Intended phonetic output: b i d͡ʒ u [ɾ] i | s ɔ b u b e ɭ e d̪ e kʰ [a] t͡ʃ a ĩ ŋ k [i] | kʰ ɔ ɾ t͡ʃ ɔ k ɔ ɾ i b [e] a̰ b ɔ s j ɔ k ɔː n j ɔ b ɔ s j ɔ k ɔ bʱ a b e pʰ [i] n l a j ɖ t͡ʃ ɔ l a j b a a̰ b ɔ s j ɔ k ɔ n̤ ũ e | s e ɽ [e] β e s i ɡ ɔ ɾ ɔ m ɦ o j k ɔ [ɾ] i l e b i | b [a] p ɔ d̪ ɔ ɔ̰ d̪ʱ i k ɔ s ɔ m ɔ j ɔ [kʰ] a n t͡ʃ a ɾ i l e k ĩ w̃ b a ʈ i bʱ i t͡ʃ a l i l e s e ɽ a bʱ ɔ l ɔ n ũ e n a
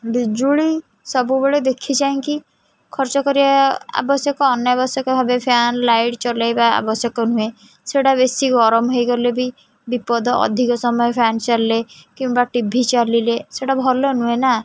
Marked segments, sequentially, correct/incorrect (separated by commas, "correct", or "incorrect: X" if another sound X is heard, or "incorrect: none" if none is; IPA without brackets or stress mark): incorrect: ɭ, incorrect: i, correct, incorrect: a, incorrect: a, incorrect: a, correct, incorrect: i, incorrect: pʰ